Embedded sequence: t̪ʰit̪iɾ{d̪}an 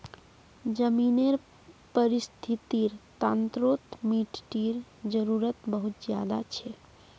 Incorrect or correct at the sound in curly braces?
incorrect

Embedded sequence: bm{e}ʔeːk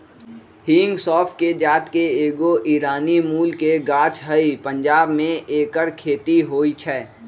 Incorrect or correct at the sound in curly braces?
incorrect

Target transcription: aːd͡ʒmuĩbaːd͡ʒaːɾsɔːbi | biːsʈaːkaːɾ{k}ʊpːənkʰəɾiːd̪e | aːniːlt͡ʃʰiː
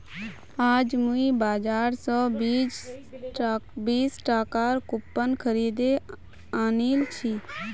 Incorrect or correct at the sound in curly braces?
correct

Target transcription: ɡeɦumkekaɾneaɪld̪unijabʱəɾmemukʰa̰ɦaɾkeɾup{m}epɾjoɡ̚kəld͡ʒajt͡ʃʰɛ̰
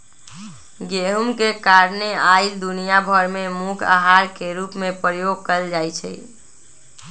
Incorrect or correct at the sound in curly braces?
correct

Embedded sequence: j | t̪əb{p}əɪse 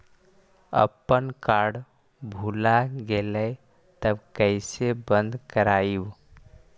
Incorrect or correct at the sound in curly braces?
incorrect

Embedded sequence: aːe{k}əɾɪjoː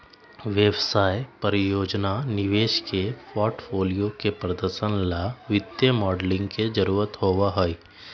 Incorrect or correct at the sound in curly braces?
incorrect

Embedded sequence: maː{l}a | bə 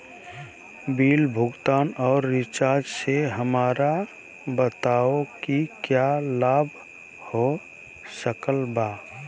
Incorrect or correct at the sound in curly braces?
incorrect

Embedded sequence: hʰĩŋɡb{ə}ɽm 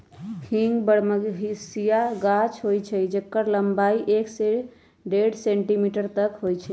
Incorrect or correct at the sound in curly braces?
correct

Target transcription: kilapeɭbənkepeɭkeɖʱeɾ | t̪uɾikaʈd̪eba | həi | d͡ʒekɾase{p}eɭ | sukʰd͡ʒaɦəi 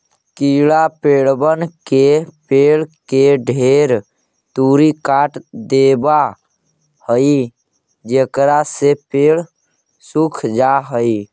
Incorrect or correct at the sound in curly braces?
correct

